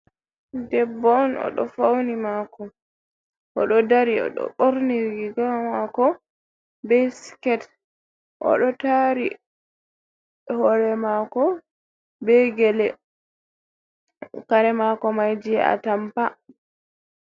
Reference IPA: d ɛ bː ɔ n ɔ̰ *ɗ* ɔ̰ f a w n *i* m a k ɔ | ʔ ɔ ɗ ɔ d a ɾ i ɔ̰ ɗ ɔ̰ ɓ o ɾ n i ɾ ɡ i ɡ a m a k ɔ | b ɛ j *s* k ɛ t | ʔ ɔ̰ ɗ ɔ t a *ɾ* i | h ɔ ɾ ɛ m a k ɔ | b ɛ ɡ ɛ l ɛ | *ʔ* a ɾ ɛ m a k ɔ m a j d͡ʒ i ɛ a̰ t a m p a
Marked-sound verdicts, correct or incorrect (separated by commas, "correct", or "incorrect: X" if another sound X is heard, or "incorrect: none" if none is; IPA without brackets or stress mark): correct, correct, correct, correct, incorrect: k